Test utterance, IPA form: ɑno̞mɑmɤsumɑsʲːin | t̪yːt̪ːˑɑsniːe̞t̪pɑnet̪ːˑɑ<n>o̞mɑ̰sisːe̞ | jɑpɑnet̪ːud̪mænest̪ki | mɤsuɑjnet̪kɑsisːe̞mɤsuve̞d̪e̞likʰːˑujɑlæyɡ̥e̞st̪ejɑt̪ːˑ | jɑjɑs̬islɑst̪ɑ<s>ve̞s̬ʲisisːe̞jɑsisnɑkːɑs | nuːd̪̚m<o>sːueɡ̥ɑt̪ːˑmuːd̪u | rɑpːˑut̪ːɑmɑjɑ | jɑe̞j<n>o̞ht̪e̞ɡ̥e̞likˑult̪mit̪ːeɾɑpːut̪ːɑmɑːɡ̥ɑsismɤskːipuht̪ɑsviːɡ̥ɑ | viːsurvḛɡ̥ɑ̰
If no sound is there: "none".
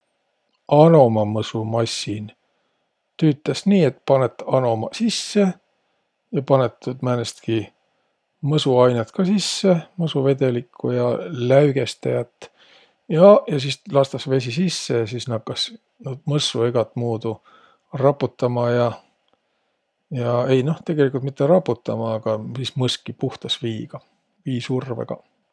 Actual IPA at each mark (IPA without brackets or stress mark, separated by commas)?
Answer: n, s, ɤ, n